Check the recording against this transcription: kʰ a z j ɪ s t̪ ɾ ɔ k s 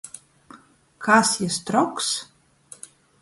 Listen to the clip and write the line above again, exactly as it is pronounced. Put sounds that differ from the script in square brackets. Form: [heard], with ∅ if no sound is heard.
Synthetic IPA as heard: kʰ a [s] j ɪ s t̪ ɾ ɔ k s